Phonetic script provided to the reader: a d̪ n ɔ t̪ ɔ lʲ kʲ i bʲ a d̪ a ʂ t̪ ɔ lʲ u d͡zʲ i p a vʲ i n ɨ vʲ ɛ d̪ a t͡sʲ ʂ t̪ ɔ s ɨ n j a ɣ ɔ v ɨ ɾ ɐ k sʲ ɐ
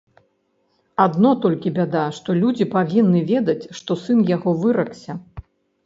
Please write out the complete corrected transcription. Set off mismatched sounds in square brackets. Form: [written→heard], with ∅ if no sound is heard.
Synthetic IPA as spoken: a d̪ n ɔ t̪ ɔ lʲ kʲ i bʲ a d̪ a ʂ t̪ ɔ lʲ u d͡zʲ i p a vʲ i [n→nː] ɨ vʲ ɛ d̪ [a→ɐ] t͡sʲ ʂ t̪ ɔ s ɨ n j a ɣ ɔ v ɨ ɾ ɐ k sʲ ɐ